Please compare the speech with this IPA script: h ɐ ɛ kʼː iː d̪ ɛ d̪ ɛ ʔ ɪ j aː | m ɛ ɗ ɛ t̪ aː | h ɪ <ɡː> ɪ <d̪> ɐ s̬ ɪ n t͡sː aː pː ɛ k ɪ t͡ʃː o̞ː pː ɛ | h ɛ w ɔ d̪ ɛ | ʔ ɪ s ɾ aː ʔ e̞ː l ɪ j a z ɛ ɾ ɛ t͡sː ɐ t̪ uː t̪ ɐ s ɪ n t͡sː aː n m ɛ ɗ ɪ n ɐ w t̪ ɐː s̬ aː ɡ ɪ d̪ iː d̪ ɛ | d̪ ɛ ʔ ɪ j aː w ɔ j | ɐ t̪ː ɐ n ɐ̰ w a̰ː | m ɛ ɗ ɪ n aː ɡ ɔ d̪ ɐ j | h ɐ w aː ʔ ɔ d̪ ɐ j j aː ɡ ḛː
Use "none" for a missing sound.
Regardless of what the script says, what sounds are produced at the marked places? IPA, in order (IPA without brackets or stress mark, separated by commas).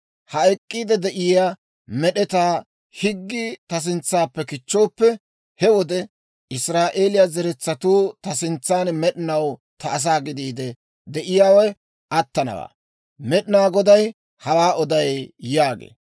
ɡː, t̪